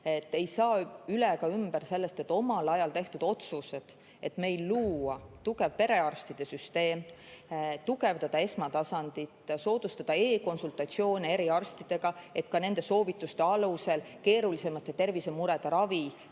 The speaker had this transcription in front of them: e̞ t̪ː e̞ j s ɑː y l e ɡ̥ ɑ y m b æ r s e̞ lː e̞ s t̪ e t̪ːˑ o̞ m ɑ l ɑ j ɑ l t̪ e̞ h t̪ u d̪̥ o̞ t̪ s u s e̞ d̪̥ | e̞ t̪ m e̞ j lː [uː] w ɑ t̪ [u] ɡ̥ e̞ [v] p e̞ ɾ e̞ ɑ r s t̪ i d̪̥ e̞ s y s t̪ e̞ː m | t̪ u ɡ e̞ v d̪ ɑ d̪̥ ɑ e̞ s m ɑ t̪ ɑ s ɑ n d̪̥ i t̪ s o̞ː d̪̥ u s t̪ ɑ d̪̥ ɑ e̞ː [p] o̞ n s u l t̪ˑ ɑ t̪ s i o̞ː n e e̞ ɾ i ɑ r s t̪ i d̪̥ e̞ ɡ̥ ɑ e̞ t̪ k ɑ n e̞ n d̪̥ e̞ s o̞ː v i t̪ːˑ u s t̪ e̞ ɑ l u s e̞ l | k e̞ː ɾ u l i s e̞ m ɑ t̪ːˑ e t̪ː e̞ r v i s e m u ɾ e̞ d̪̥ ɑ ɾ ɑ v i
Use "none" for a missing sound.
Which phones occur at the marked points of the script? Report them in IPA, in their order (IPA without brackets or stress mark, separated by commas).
uː, u, v, k